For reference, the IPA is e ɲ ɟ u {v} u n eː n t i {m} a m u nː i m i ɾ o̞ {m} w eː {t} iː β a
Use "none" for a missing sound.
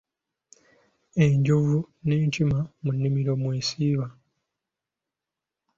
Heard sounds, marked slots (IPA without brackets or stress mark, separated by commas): v, m, m, s